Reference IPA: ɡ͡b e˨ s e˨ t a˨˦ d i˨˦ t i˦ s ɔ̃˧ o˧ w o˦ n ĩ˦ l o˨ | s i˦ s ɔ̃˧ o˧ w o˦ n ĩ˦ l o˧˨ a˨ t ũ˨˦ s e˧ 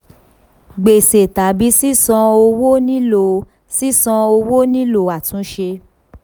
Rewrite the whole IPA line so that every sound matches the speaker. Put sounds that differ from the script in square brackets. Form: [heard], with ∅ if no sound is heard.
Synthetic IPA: ɡ͡b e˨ s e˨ t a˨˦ [b] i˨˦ [s] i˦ s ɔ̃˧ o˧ w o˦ n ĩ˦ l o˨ | s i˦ s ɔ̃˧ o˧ w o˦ n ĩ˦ l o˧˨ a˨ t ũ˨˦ [ʃ] e˧